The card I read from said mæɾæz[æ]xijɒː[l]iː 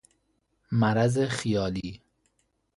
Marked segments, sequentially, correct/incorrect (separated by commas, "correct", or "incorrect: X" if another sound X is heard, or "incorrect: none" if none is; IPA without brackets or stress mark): incorrect: e, correct